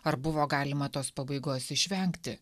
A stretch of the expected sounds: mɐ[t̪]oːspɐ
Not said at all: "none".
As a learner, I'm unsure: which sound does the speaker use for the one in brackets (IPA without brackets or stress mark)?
t̪